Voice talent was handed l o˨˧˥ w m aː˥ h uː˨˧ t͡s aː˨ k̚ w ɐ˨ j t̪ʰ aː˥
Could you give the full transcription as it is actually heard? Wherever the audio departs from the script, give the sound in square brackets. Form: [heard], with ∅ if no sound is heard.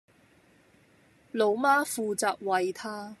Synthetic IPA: l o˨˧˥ w m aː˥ [f] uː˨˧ t͡s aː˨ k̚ w ɐ˨ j t̪ʰ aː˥